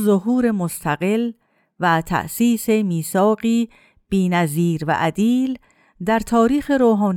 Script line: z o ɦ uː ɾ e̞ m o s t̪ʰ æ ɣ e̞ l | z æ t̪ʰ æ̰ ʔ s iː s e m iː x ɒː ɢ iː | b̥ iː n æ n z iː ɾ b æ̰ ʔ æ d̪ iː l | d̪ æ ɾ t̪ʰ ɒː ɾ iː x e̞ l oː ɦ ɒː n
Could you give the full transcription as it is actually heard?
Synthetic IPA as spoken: z o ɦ uː ɾ e̞ m o s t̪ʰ æ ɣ e̞ l | v æ t̪ʰ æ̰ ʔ s iː s e m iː s ɒː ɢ iː | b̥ iː n æ z iː ɾ v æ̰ ʔ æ d̪ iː l | d̪ æ ɾ t̪ʰ ɒː ɾ iː x e̞ ɾ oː ɦ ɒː n